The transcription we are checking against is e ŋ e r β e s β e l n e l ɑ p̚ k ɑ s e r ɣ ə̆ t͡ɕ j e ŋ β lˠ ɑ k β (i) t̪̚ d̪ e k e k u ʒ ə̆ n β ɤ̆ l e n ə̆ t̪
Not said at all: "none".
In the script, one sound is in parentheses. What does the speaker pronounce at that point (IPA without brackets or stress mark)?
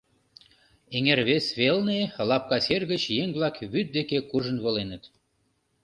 y